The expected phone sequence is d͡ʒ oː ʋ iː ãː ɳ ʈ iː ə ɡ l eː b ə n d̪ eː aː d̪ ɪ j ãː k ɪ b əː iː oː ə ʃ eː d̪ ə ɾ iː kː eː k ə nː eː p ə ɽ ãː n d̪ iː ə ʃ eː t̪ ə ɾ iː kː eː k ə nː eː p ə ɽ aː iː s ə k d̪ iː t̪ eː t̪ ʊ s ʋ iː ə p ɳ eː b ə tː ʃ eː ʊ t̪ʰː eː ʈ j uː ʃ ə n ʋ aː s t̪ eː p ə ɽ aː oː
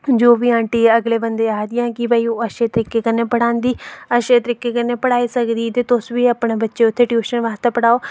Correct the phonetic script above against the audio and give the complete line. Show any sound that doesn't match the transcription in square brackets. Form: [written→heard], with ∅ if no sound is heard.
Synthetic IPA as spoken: d͡ʒ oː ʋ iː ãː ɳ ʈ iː ə ɡ l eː b ə n d̪ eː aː d̪ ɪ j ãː k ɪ b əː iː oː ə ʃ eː [d̪→t̪] ə ɾ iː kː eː k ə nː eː p ə ɽ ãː n d̪ iː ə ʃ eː t̪ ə ɾ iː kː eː k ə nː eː p ə ɽ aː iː s ə k d̪ iː t̪ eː t̪ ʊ s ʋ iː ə p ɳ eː b ə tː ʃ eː ʊ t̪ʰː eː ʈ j uː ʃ ə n ʋ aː s t̪ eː p ə ɽ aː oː